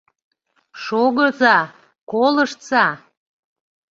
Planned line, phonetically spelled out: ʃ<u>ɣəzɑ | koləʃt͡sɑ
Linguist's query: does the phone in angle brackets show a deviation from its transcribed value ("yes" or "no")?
yes